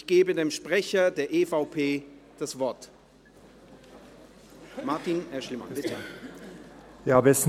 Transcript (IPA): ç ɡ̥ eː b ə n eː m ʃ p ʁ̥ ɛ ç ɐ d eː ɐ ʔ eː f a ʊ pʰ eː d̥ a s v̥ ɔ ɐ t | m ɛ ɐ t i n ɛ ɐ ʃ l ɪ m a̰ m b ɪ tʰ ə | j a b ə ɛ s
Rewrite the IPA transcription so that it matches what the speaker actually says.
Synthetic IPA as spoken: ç ɡ̥ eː b ə d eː m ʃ p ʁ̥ ɛ ç ɐ d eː ɐ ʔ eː f a ʊ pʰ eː d̥ a s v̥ ɔ ɐ t | m a ɐ t i n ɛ ɐ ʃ l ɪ m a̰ n b ɪ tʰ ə | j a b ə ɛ s

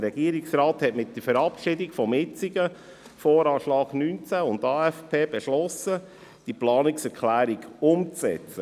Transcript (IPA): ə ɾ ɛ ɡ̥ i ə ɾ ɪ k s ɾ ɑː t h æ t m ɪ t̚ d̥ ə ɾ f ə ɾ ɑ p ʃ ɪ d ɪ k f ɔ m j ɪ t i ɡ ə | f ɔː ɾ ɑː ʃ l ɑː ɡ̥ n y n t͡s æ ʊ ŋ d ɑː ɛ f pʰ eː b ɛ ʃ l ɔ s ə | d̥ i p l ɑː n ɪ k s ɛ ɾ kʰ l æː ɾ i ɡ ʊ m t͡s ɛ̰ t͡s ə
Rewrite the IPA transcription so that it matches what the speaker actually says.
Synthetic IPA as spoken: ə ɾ ɛ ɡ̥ i ə ɾ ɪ k s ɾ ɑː t h ɛ t m ɪ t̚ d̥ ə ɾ f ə ɾ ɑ p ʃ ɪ d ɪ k f ɔ m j ɪ t͡s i ɡ ə | f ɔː ɾ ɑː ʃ l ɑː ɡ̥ n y n t͡s æ ʊ n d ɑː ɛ f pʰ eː b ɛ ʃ l ɔ s ə | d̥ i p l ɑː n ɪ k s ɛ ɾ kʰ l æː ɾ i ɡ ʊ m t͡s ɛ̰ t͡s ə

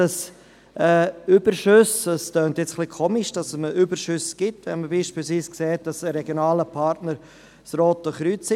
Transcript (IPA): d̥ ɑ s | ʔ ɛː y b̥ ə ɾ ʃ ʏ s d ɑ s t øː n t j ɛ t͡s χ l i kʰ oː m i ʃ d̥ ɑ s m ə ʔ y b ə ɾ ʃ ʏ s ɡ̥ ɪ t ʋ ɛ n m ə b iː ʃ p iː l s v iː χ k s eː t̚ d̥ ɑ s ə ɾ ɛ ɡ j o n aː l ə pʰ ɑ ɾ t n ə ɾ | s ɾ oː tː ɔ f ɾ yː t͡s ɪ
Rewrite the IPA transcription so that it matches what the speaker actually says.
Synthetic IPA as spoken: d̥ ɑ s | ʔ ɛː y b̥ ə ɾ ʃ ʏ s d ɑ s t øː n t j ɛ t͡s χ l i kʰ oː m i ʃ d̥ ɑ s m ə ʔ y b ə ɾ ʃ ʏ s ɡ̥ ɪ t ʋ ɛ n m ə b iː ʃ p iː l s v iː s k s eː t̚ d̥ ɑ s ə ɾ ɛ ɡ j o n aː l ə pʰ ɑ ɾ t n ə ɾ | s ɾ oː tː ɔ χ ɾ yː t͡s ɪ

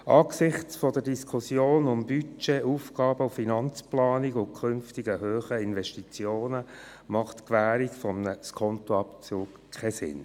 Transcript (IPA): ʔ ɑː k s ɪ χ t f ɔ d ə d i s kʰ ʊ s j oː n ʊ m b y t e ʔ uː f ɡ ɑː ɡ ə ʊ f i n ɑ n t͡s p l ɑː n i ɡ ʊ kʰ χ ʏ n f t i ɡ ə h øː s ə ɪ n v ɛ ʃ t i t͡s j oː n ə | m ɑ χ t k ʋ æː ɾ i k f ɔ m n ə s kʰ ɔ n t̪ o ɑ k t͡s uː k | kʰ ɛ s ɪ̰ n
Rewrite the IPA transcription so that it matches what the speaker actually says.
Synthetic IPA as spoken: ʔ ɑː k s ɪ χ t͡s f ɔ d ə d i s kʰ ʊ s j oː n ʊ m b y t͡ʃ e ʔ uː f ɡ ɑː b ə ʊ f i n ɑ n t͡s p l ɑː n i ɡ ʊ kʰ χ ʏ n f t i ɡ ə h øː χ ə ɪ n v ɛ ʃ t i t͡s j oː n ə | m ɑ χ t k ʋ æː ɾ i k f ɔ m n ə s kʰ ɔ n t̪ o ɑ p t͡s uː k | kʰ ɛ s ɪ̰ n

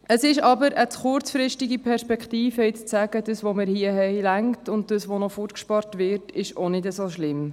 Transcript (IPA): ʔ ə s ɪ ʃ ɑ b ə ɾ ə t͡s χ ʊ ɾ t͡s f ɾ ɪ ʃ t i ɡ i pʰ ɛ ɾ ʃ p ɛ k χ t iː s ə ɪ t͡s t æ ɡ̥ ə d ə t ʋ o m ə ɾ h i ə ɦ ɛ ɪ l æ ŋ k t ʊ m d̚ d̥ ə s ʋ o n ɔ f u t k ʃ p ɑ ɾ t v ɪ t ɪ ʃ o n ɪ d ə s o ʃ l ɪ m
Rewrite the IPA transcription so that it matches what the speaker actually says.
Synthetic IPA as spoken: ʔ ə s ɪ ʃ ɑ b ə ɾ ə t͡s χ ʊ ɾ t͡s f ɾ ɪ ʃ t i ɡ i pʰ ɛ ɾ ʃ p ɛ k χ t iː f ə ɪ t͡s t͡s æ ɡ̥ ə d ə s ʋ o m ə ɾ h i ə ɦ ɛ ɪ l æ ŋ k t ʊ n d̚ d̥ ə s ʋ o n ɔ f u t k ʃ p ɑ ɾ t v ɪ t ɪ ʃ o n ɪ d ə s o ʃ l ɪ m

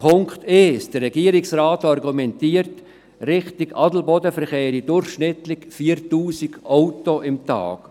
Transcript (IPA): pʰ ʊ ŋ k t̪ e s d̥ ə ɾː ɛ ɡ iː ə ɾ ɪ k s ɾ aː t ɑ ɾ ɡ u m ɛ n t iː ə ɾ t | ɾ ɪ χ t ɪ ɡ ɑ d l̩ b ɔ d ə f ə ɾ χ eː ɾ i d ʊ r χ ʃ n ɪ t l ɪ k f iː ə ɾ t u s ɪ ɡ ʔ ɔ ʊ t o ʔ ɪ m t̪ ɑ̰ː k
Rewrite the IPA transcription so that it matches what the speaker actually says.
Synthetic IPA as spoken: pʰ ʊ ŋ k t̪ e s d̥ ə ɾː ɛ ɡ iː ə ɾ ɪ k s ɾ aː t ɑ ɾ ɡ u m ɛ n t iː ə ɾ t | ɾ ɪ χ t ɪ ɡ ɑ d l̩ b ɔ d ə f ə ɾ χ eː ɾ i d ʊ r χ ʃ n ɪ t l ɪ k f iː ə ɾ t uː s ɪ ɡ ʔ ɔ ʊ t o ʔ ɪ m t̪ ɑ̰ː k

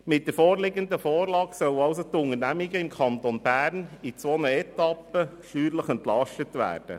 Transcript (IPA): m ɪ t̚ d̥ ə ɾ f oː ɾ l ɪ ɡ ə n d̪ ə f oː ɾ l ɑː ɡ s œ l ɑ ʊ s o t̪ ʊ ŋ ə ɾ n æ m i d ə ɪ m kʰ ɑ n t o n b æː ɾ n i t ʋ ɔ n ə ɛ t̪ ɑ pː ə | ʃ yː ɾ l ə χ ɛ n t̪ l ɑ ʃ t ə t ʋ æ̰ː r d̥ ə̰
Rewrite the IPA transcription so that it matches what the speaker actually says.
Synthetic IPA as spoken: m ɪ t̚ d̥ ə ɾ f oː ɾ l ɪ ɡ ə n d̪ ə f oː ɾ l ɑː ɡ s œ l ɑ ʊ s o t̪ ʊ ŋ ə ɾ n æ m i ɡ ə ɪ m kʰ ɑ n t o n b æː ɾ n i t͡s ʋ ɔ n ə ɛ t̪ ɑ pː ə | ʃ yː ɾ l ə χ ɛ n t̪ l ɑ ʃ t ə t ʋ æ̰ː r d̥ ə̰

